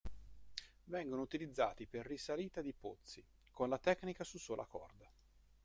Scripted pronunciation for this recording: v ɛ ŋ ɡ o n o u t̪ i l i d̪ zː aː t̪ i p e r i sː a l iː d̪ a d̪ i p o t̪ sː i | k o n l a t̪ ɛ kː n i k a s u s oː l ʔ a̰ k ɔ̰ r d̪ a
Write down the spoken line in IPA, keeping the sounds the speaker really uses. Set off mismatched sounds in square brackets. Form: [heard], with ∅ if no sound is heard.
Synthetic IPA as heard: v ɛ ŋ ɡ o n o u t̪ i l i d̪ zː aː t̪ i p e [rː] i [s] a l iː [t̪] a d̪ i p o t̪ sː i | k o n l a t̪ ɛ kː n i k a s u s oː l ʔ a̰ k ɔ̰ r d̪ a

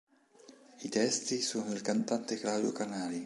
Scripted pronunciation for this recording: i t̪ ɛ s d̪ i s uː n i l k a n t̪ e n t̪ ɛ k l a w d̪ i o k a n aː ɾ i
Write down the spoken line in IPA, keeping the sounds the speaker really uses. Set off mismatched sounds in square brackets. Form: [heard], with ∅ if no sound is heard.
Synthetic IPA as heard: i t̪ ɛ s [t̪] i s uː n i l k a n t̪ [a] n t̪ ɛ k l a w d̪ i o k a n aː [l] i

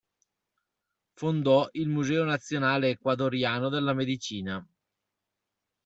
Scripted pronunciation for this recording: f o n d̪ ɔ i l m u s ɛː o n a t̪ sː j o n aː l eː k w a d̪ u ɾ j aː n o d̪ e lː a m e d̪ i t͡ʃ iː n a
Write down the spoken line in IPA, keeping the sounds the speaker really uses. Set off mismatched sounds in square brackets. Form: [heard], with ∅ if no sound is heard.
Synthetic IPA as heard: f o n d̪ ɔ i l m u [z] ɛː o n a t̪ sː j o n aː l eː k w a d̪ [o] ɾ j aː n o d̪ e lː a m e d̪ i t͡ʃ iː n a

